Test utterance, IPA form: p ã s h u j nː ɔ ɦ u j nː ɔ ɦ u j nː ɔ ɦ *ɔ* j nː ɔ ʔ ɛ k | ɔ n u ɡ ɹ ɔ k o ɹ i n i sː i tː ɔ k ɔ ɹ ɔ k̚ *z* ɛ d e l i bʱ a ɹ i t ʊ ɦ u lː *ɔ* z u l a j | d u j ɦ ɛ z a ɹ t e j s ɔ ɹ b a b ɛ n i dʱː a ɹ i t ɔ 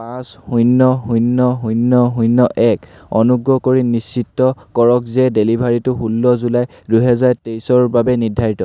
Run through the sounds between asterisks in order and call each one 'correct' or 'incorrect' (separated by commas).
incorrect, correct, correct